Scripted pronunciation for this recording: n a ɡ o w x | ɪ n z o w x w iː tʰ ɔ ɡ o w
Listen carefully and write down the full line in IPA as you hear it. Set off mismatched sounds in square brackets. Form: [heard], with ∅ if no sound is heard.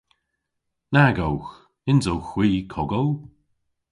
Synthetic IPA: n a ɡ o w x | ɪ n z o w x w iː [kʰ] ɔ ɡ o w